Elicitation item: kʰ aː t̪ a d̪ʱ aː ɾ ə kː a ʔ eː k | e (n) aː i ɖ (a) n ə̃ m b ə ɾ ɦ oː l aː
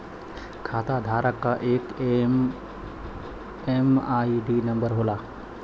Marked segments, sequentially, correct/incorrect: incorrect, incorrect

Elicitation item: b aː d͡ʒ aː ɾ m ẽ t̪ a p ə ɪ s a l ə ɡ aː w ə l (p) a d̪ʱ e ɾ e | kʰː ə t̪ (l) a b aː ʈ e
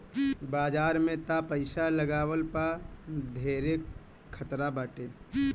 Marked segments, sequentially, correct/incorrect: correct, incorrect

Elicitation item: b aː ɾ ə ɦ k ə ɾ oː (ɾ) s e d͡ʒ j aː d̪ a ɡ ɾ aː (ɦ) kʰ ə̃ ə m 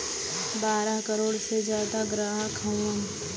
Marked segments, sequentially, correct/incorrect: incorrect, correct

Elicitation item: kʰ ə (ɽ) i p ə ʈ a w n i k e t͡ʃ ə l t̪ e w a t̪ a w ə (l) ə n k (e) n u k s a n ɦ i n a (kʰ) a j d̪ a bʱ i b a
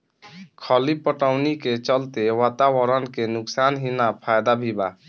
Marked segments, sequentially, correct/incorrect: incorrect, incorrect, correct, incorrect

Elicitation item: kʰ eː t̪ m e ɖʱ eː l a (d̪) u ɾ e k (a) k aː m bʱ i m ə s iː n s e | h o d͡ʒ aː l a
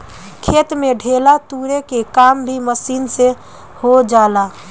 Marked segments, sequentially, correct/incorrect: incorrect, incorrect

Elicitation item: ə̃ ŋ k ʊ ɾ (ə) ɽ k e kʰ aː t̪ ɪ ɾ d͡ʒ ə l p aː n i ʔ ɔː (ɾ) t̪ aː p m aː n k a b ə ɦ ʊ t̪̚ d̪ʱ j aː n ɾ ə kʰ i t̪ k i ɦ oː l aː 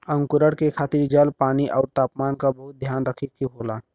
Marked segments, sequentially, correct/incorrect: correct, correct

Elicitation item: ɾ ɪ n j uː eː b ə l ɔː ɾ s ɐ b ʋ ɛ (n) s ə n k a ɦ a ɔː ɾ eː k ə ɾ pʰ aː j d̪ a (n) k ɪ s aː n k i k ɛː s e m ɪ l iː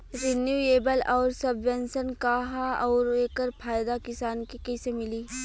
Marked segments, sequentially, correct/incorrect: correct, incorrect

